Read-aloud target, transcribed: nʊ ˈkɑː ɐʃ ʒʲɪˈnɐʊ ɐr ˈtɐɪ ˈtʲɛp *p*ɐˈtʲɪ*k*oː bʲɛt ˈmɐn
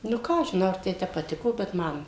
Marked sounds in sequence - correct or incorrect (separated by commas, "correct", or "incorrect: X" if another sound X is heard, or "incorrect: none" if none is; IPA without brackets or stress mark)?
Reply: correct, correct